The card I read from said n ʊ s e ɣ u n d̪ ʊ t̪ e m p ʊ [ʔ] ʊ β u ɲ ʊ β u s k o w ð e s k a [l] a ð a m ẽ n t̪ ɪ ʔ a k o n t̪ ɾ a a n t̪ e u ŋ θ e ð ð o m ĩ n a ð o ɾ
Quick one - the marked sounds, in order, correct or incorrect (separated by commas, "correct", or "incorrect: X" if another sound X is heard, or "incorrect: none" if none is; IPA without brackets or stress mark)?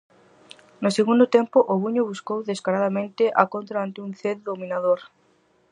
correct, incorrect: ɾ